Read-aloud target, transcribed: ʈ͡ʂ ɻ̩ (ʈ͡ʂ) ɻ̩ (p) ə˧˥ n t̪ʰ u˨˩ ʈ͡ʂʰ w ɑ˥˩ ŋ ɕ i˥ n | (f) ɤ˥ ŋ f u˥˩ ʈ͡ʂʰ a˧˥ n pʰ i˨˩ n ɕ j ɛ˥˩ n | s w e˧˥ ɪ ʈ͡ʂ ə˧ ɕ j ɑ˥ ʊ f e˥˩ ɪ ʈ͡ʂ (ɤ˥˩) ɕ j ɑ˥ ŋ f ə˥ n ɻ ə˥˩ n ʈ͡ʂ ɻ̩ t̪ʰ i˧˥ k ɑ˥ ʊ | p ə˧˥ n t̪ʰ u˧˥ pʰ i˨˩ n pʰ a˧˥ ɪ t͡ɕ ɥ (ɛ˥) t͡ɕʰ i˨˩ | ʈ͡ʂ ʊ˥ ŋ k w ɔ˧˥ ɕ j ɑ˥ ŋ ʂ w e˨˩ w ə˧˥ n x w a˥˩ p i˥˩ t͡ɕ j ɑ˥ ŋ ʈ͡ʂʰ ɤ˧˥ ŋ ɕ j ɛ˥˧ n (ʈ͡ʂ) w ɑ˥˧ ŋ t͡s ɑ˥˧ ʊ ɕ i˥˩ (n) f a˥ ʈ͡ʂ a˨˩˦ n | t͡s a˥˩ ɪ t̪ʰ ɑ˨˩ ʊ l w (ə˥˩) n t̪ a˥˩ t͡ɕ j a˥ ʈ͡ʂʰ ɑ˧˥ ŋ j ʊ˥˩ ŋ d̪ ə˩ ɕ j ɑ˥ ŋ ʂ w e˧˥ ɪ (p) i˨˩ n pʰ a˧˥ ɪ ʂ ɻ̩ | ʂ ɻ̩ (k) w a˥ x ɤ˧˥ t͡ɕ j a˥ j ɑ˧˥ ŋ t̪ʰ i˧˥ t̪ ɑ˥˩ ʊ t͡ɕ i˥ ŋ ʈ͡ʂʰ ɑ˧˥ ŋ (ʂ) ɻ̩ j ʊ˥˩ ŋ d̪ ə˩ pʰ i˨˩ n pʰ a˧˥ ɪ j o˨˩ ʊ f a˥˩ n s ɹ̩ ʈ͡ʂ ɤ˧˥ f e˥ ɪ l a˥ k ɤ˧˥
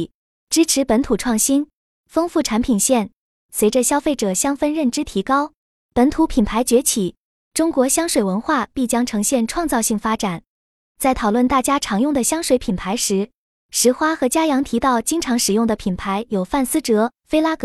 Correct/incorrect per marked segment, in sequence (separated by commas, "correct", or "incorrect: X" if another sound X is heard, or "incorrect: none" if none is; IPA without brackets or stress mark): incorrect: ʈ͡ʂʰ, correct, correct, incorrect: ɤ˨˩, incorrect: ɛ˧˥, incorrect: ʈ͡ʂʰ, incorrect: ŋ, correct, incorrect: pʰ, incorrect: x, correct